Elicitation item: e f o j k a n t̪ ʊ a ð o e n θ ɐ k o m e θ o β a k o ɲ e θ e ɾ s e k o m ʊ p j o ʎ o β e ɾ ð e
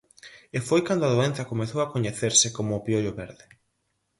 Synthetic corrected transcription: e f o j k a n d̪ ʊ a ð o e n θ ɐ k o m e θ o w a k o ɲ e θ e ɾ s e k o m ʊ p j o ʎ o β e ɾ ð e